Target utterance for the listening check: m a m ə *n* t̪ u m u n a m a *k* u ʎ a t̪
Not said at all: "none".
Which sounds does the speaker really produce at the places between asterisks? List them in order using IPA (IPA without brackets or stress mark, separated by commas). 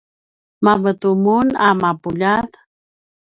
none, p